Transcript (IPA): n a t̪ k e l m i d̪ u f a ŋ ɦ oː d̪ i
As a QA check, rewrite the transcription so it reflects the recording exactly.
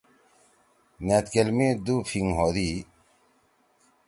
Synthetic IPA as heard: n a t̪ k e l m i d̪ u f i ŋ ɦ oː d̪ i

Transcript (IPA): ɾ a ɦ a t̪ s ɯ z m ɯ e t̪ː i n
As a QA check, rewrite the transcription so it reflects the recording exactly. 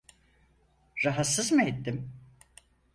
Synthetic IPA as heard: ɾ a ɦ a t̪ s ɯ z m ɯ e t̪ː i m

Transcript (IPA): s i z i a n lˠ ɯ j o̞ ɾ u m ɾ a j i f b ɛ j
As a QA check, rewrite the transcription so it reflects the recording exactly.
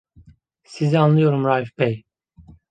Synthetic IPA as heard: s i z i a n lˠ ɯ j o̞ ɾ u m ɾ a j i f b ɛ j

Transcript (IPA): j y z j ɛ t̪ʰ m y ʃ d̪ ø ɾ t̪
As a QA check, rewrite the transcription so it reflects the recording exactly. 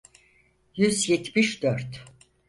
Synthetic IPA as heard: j y z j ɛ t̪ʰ m i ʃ d̪ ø ɾ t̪

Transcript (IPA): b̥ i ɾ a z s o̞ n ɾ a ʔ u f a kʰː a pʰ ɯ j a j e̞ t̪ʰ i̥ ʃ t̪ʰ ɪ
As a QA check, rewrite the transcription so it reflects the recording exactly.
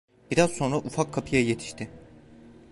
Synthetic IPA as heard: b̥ i ɾ a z s o̞ n ɾ a ʔ u f a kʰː a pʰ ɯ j a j e̞ t̪ʰ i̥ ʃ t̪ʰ ɪ

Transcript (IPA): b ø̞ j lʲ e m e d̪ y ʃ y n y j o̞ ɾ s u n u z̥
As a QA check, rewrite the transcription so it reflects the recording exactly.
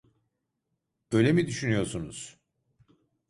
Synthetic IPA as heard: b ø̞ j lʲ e m i d̪ y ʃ y n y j o̞ ɾ s u n u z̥

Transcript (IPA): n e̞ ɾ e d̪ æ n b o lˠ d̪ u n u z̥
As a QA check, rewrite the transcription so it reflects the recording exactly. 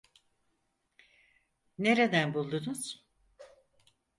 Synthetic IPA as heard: n e̞ ɾ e d̪ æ n b u lˠ d̪ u n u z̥

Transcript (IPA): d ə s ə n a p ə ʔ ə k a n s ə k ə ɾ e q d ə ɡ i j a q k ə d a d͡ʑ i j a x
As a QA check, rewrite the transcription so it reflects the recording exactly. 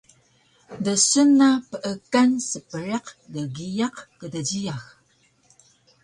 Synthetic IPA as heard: d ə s ə n a p ə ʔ ə k a n s ə p ə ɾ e q d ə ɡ i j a q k ə d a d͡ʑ i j a x

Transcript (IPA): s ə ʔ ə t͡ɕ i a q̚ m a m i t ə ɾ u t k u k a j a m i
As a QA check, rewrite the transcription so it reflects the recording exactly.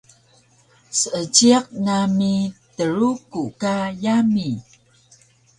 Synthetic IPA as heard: s ə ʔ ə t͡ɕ i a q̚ n a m i t ə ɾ u k u k a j a m i

